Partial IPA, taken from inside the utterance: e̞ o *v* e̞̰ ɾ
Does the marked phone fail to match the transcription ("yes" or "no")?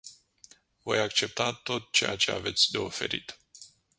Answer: yes